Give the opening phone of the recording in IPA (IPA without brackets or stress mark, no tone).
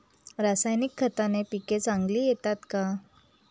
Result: ɾ